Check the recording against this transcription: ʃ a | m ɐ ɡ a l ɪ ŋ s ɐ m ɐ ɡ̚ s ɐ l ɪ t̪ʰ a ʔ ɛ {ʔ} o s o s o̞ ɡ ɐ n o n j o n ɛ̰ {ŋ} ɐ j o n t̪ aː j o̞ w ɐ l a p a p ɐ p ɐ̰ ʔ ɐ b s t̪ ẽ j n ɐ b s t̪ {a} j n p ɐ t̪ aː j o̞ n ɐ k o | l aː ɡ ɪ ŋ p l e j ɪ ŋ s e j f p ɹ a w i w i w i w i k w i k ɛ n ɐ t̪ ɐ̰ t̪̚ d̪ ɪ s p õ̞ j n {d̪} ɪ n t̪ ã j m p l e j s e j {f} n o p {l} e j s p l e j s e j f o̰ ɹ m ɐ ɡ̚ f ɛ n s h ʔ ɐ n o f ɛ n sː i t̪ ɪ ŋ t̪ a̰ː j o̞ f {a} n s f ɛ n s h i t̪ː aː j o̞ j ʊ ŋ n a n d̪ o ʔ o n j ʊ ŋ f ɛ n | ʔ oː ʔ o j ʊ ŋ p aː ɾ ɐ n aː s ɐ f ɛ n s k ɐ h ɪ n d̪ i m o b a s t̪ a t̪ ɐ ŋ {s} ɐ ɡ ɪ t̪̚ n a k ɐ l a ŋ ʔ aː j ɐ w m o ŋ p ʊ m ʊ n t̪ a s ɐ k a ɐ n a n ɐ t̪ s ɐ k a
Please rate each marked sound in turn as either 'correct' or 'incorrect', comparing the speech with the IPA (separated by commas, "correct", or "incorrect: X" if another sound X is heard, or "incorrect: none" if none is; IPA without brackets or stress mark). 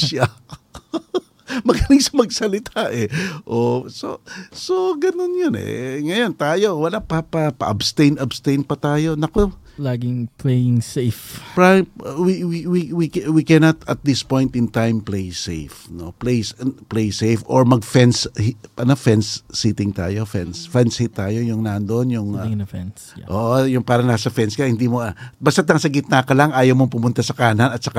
correct, correct, incorrect: e, incorrect: t̪, correct, correct, incorrect: ɛ, correct